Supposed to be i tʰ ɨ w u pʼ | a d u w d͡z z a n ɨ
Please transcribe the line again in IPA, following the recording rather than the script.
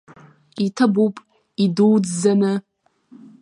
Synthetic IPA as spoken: i tʰ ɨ b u pʼ | i d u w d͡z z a n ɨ